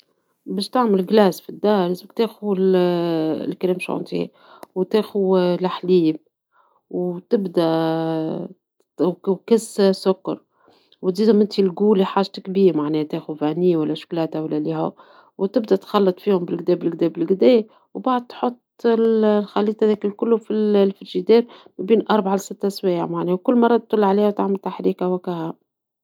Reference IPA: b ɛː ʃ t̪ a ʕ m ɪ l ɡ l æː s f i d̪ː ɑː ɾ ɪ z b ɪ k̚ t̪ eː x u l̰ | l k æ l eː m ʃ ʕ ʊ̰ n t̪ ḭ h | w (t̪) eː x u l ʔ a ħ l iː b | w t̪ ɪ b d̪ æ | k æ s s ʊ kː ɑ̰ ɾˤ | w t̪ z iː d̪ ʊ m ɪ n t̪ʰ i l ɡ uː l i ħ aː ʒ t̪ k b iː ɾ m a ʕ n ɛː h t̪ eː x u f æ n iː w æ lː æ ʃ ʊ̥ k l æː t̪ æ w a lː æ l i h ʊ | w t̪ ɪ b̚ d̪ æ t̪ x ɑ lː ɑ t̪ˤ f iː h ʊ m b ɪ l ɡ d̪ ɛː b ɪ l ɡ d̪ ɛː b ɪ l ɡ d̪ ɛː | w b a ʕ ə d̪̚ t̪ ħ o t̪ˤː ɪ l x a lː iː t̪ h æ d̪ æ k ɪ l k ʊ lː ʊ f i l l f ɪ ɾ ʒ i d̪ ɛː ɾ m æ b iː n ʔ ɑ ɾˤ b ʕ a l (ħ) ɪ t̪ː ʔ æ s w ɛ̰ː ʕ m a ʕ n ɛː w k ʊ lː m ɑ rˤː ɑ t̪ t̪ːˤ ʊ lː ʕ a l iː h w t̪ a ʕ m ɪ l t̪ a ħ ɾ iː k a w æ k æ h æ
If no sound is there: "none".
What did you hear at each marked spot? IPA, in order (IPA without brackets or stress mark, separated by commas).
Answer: t̪, s